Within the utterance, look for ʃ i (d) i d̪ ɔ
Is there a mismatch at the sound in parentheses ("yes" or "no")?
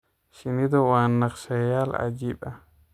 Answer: yes